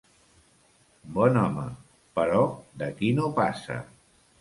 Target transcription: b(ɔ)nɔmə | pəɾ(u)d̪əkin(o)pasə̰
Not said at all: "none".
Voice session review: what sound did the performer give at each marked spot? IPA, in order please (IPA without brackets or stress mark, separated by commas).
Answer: ɔ, ɔ, o